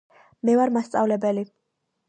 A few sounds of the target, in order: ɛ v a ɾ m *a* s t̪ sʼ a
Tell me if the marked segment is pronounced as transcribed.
yes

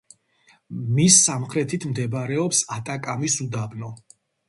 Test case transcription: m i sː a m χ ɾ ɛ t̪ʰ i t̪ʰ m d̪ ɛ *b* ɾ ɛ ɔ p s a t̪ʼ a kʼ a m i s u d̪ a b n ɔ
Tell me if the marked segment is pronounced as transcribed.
yes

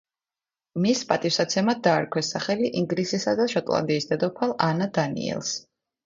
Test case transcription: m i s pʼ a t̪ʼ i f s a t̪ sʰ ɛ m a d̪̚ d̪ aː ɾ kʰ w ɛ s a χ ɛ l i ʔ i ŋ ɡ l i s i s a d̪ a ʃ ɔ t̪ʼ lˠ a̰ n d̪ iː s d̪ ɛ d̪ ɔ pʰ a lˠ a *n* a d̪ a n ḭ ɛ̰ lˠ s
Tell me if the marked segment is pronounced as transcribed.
yes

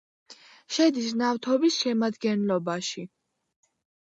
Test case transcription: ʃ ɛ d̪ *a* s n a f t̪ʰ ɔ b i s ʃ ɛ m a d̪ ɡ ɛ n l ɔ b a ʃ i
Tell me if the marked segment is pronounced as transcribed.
no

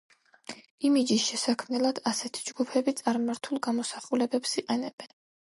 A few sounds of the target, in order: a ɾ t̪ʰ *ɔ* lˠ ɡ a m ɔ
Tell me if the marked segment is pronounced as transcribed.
no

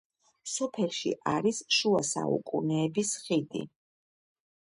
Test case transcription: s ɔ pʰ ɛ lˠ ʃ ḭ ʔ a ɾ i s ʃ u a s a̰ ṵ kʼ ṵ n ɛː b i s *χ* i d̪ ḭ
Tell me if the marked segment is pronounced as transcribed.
yes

